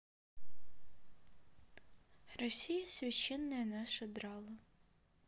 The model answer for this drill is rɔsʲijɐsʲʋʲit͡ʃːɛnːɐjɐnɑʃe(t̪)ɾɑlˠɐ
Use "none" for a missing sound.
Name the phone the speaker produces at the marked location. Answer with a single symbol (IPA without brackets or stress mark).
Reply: d̪